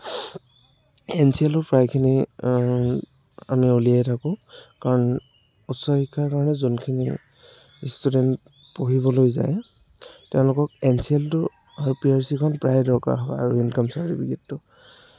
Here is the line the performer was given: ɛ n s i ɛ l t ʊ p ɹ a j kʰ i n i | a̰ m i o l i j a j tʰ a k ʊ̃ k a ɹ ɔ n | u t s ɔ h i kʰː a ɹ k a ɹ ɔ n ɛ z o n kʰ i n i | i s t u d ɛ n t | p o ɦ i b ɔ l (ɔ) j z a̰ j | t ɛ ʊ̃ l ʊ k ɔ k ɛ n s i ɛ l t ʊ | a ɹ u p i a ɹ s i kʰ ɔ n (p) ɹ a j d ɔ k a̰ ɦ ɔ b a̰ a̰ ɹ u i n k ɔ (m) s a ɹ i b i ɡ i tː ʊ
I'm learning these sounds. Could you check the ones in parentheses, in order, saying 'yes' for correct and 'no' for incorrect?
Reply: no, yes, yes

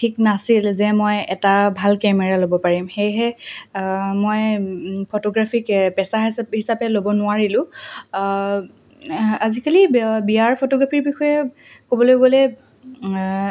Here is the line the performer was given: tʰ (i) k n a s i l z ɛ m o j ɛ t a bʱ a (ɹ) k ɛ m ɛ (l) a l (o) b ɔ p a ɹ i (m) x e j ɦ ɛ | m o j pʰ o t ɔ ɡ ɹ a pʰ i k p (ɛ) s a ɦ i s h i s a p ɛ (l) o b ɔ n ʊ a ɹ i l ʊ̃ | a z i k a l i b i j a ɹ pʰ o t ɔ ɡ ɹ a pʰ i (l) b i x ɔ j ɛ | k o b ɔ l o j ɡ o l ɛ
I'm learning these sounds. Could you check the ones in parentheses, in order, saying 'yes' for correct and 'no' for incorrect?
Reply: yes, no, no, yes, yes, yes, yes, no

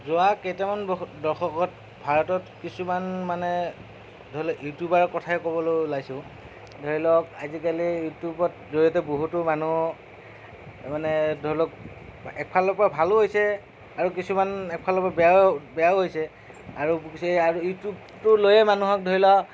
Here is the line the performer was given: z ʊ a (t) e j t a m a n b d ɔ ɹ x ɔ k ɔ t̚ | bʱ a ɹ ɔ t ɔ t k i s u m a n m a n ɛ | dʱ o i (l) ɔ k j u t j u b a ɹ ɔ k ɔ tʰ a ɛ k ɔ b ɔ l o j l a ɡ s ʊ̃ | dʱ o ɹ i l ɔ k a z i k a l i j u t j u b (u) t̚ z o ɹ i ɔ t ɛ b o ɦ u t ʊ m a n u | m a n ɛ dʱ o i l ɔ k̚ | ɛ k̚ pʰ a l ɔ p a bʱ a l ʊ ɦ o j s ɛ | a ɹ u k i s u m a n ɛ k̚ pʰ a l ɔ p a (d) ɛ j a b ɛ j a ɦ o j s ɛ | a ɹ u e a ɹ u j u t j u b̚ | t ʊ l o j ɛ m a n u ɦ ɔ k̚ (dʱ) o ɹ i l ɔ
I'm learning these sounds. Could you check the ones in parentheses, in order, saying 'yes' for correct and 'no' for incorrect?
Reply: no, yes, no, no, yes

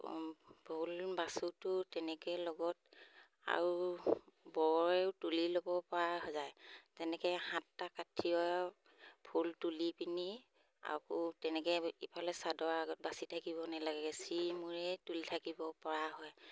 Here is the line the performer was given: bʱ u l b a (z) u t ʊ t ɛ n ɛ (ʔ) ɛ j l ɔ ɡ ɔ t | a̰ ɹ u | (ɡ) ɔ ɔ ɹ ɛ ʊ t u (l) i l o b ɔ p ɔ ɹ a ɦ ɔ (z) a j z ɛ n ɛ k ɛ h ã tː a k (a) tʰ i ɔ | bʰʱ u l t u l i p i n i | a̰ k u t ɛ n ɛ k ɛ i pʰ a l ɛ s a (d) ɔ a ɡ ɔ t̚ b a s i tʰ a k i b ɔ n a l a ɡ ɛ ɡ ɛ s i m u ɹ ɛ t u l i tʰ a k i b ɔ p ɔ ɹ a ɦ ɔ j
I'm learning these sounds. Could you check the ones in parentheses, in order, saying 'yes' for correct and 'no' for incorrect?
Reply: no, no, no, yes, yes, yes, yes

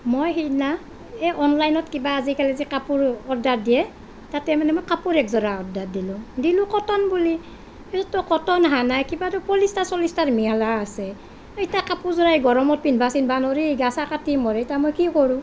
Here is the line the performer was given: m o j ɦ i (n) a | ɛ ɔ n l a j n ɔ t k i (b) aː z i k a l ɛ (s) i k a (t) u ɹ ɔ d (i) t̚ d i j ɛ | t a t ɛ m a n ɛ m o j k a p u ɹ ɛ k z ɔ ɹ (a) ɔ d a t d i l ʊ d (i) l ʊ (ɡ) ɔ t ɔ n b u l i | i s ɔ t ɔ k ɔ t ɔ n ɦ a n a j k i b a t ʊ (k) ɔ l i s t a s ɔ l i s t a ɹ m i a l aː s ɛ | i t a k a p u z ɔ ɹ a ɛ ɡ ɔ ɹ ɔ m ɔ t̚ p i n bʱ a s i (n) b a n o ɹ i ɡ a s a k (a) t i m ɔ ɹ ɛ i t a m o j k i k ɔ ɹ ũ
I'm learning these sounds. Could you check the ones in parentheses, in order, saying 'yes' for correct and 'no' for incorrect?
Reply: yes, yes, no, no, no, yes, yes, no, no, yes, yes

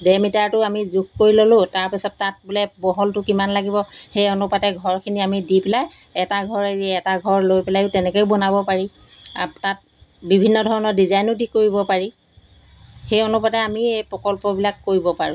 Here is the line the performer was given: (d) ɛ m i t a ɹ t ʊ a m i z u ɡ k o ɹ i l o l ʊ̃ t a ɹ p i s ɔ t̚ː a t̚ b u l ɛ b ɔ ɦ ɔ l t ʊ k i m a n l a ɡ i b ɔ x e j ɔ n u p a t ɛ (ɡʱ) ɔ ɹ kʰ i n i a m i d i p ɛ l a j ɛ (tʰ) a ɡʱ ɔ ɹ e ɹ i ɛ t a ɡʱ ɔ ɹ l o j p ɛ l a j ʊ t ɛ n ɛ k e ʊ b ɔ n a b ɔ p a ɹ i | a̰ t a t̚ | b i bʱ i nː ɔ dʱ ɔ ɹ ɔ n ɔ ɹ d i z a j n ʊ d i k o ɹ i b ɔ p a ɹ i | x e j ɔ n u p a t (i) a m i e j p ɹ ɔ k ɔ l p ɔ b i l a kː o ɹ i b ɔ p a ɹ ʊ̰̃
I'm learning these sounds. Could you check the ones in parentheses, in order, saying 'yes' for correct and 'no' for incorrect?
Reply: yes, yes, no, no

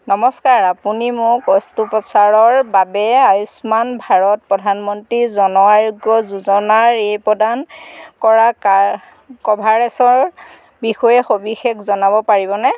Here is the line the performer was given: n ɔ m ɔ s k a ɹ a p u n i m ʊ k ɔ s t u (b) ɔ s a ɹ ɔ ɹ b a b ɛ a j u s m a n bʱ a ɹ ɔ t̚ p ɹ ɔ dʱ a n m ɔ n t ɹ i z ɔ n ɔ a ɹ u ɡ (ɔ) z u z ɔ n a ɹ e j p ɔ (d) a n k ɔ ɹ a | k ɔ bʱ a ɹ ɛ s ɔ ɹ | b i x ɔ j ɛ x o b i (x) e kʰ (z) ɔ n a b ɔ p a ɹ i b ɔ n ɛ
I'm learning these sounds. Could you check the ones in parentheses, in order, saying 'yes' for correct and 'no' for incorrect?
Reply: no, yes, yes, yes, yes

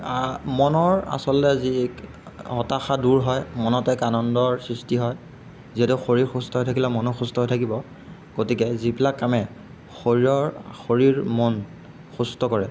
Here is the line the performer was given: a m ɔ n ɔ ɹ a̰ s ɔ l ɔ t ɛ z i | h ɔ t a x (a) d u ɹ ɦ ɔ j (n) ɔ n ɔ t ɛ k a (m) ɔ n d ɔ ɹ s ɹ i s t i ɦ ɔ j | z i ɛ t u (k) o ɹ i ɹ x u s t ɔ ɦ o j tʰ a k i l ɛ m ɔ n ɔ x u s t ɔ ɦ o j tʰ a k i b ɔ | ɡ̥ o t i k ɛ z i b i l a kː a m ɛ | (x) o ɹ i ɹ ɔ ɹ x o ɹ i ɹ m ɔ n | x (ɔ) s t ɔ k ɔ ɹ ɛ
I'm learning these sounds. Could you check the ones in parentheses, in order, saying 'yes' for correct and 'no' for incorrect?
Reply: yes, no, no, no, yes, no

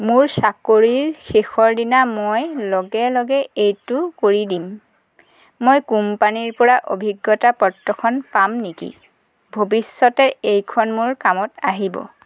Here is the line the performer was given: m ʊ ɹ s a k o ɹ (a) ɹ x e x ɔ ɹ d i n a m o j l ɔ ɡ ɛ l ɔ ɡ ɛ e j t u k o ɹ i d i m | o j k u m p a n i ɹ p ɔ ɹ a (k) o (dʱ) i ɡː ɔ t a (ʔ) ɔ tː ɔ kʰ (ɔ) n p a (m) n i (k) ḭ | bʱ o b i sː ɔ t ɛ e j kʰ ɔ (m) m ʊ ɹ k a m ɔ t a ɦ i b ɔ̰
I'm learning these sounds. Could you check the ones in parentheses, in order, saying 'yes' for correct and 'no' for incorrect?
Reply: no, no, no, no, yes, yes, yes, no

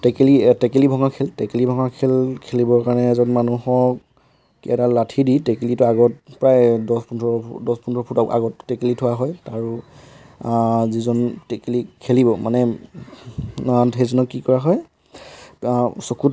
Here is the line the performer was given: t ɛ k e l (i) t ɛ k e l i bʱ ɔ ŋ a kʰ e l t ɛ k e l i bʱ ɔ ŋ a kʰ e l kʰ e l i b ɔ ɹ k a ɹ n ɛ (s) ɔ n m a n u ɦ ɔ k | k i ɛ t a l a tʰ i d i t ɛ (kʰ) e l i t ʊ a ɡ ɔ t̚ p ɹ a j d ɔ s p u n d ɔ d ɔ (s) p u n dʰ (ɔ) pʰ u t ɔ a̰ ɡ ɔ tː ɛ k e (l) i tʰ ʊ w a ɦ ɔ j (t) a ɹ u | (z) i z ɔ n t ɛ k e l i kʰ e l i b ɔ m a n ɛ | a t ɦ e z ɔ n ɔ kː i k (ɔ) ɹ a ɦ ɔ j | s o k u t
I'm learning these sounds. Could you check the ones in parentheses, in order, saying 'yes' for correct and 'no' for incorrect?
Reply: yes, no, no, yes, yes, yes, yes, yes, yes

